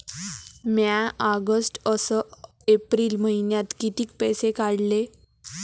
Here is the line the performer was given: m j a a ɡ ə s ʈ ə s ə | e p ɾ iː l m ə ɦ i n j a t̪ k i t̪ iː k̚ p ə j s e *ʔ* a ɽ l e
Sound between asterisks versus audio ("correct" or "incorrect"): incorrect